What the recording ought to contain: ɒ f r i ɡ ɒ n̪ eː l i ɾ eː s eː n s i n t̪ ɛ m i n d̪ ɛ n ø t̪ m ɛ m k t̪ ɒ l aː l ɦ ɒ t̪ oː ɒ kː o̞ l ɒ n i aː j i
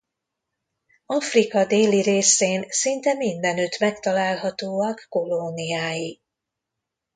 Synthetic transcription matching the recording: ɒ f r i k ɒ d̪ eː l i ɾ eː s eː n s i n t̪ ɛ m i n d̪ ɛ n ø t̪ m ɛ k t̪ ɒ l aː l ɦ ɒ t̪ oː ɒ kː o̞ l o n i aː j i